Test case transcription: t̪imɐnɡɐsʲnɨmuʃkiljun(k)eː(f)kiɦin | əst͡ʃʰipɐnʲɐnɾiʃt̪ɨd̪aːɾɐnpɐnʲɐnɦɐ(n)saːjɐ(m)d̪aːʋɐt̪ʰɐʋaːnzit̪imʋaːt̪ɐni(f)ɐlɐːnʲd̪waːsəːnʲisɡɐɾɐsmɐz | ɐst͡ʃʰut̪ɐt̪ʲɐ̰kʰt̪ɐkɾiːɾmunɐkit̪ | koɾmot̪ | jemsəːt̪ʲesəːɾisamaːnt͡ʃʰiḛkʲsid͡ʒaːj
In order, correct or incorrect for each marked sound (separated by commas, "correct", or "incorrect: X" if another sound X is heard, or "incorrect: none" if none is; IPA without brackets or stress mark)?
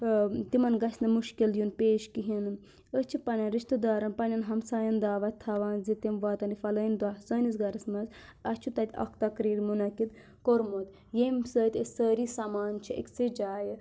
incorrect: p, incorrect: ʃ, incorrect: m, incorrect: n, correct